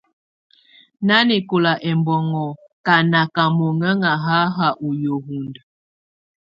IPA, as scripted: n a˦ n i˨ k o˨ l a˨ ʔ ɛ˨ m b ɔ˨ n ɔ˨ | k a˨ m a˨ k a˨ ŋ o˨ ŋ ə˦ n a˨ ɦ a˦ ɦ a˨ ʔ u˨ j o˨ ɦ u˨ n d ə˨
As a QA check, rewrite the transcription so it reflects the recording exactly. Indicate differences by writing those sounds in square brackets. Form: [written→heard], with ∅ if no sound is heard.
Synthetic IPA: n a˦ n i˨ k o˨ l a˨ ʔ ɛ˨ m b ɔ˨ [n→ŋ] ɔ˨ | k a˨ [m→n] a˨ k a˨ [ŋ→m] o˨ ŋ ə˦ [n→ŋ] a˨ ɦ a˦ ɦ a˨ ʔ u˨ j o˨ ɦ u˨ n d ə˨